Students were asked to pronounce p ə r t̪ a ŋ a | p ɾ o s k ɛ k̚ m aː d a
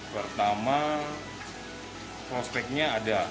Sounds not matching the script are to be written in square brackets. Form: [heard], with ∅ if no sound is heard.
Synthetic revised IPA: p ə r t̪ a [m] a | p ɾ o s [p] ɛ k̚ [ɲ] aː d a

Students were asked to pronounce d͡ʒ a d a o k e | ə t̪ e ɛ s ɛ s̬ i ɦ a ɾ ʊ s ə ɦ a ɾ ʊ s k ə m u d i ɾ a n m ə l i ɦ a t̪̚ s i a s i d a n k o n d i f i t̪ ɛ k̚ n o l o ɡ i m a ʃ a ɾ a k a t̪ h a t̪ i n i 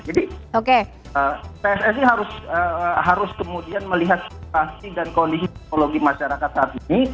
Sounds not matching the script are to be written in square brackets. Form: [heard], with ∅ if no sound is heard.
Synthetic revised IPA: d͡ʒ a d [i] o k e | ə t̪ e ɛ s ɛ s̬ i ɦ a ɾ ʊ s ə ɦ a ɾ ʊ s k ə m u d i [∅] a n m ə l i ɦ a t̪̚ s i a s i d a n k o n d i [s] i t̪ ɛ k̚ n o l o ɡ i m a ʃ a ɾ a k a t̪ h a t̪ i n i

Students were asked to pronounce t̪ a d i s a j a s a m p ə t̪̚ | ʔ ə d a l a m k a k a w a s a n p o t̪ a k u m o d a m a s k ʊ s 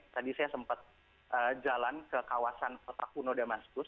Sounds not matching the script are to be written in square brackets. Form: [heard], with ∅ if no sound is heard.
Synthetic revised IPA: t̪ a d i s a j a s [ə] m p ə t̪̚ | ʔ ə [d͡ʒ] a l a [n] k [ə] k a w a s a n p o t̪ a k u [n] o d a m a s k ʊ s

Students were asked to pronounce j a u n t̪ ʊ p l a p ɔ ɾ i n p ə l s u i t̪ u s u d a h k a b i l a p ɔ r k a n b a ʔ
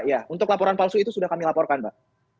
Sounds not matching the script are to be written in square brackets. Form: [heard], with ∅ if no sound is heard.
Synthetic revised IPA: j a u n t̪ ʊ [k] l a p ɔ ɾ [a] n p [a] l s u i t̪ u s u d a h k a [m] i l a p ɔ r k a n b a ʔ

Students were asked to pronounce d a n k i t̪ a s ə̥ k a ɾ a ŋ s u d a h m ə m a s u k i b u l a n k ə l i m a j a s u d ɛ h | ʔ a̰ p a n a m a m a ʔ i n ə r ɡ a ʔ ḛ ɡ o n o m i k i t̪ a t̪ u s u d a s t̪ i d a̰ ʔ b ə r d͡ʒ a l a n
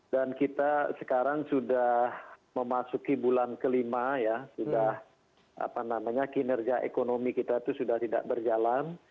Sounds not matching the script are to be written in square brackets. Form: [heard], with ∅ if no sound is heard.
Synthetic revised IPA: d a n k i t̪ a s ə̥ k a ɾ a ŋ s u d a h m ə m a s u k i b u l a n k ə l i m a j a s u d [a] h | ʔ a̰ p a n a m a [ɲ] a [k] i n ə r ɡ a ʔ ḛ [k] o n o m i k i t̪ a t̪ u s u d a [h] t̪ i d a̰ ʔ b ə r d͡ʒ a l a n

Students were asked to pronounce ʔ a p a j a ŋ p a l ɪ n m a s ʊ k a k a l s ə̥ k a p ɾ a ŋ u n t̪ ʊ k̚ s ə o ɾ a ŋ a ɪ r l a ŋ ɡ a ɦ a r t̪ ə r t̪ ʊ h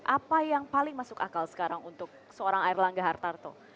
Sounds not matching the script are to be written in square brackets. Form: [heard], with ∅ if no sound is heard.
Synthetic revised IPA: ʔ a p a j a ŋ p a l ɪ [ŋ] m a s ʊ k a k a l s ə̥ k a [∅] ɾ a ŋ u n t̪ ʊ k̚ s ə o ɾ a ŋ a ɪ r l a ŋ ɡ a ɦ a r t̪ [a] r t̪ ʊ h

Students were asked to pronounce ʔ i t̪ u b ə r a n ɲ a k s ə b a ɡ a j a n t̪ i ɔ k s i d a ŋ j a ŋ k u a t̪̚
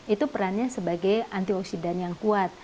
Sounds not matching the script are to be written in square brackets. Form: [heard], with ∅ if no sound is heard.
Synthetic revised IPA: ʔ i t̪ u [p] ə [ɾ] a n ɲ a [∅] s ə b a ɡ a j a n t̪ i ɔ k s i d a [n] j a ŋ k u a t̪̚

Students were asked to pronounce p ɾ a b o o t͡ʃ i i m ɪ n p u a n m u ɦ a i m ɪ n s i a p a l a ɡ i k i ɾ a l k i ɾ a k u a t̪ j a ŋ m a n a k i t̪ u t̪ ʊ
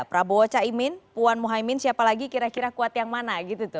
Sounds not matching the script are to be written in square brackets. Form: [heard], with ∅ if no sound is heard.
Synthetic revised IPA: p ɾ a b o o t͡ʃ [a] i m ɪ n p u a n m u ɦ a i m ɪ n s i a p a l a ɡ i k i ɾ a [∅] k i ɾ a k u a t̪ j a ŋ m a n a [ɡ] i t̪ u t̪ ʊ

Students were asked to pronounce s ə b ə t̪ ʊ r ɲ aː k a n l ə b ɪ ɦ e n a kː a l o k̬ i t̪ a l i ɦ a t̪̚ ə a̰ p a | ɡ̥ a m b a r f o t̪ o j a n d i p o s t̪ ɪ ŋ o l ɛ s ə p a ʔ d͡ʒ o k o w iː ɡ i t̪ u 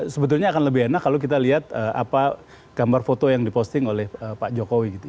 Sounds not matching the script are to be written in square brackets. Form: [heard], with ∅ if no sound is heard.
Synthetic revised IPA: s ə b ə t̪ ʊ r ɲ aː k a n l ə b ɪ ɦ e n a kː a l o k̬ i t̪ a l i ɦ a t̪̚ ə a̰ p a | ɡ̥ a m b a r f o t̪ o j a [ŋ] d i p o s t̪ ɪ ŋ o l ɛ [h] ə p a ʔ d͡ʒ o k o w [i] ɡ i t̪ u

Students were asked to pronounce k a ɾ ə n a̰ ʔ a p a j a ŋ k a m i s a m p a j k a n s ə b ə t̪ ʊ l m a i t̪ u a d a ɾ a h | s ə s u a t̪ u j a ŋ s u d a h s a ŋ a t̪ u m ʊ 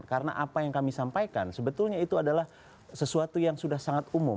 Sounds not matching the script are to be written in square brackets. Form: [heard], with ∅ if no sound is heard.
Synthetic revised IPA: k a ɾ ə n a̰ ʔ a p a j a ŋ k a m i s a m p a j k a n s ə b ə t̪ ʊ l [ɲ] a i t̪ u a d a [l] a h | s ə s u a t̪ u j a ŋ s u d a h s a ŋ a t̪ u m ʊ

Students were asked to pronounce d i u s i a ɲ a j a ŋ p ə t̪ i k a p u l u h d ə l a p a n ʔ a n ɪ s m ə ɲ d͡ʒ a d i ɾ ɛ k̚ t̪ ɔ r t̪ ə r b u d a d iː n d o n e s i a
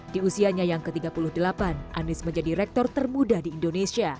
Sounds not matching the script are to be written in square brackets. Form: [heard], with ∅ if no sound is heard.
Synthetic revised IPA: d i u s i a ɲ a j a ŋ [k] ə t̪ i [ɡ] a p u l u h d ə l a p a n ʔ a n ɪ s m ə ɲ d͡ʒ a d i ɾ ɛ k̚ t̪ ɔ r t̪ ə r [m] u d a d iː n d o n e s i a

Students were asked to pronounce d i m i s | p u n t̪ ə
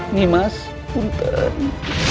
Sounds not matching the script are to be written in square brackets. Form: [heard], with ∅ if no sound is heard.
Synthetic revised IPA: [n] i m [a] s | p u n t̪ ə

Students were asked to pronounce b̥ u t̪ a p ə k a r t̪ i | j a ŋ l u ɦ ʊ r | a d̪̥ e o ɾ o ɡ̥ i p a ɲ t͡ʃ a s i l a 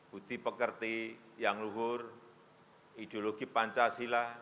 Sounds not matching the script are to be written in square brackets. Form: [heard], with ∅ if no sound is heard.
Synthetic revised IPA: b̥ u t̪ [i] p ə k [ə] r t̪ i | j a ŋ l u ɦ ʊ r | [i] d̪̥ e o [l] o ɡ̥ i p a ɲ t͡ʃ a s i l a

